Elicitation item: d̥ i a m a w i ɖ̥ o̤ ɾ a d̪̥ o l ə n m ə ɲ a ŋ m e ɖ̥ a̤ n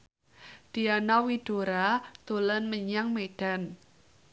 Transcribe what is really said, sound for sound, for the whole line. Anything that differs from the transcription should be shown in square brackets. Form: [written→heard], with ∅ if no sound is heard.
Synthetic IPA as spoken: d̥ i a [m→n] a w i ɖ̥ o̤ ɾ a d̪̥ o l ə n m ə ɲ a ŋ m e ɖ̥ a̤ n